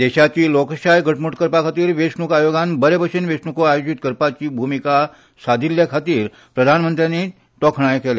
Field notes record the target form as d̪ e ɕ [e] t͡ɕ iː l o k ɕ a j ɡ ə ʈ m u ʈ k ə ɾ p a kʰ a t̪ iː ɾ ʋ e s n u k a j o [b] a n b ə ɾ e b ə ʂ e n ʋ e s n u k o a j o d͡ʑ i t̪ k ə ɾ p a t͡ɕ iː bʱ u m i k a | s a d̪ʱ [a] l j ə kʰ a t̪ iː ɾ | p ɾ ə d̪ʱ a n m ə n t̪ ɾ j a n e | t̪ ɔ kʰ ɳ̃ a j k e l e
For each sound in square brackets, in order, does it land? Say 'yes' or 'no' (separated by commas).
no, no, no